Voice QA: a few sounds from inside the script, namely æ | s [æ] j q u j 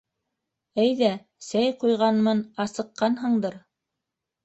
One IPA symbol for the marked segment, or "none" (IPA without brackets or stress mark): æ